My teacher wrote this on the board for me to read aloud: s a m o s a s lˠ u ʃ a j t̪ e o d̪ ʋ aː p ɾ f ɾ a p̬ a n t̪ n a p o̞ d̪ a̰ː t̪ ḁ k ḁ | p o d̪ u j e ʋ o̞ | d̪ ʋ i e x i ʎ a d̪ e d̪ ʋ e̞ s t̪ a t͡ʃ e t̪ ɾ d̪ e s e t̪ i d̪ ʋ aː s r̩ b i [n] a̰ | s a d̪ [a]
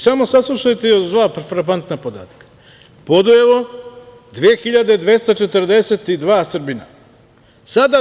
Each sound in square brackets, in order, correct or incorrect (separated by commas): correct, correct